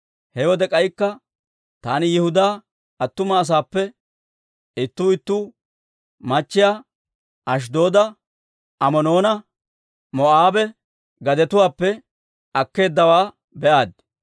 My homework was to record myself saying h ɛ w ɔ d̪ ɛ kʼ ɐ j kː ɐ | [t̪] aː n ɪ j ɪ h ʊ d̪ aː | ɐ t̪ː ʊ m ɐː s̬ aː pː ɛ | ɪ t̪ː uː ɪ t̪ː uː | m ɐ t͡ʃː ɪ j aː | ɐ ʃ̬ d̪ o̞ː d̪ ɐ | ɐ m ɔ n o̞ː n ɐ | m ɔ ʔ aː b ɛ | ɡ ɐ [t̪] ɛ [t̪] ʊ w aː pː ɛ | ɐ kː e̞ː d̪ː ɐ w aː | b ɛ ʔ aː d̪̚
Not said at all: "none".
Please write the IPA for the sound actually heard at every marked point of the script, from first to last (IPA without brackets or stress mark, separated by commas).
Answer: t̪, d̪, t̪